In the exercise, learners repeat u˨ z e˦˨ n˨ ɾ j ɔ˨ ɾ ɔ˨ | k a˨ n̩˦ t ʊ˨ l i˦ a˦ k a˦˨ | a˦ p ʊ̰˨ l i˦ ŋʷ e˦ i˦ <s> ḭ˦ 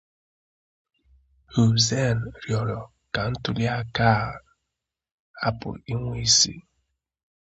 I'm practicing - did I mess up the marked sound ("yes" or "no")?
no